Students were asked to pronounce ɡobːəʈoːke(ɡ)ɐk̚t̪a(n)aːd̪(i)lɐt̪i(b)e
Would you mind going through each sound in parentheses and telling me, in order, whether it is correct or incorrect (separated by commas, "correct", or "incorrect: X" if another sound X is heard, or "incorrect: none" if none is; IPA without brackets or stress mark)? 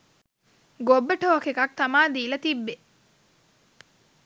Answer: incorrect: k, incorrect: m, incorrect: iː, incorrect: bː